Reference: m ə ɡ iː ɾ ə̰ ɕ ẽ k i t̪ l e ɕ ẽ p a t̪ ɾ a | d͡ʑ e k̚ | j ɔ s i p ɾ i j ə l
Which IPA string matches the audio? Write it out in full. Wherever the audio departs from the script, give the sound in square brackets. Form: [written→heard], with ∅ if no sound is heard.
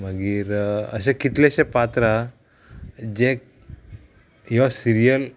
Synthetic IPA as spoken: m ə ɡ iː ɾ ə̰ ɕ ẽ k i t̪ l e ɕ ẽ p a t̪ ɾ a | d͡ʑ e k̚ | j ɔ s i [p→∅] ɾ i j ə l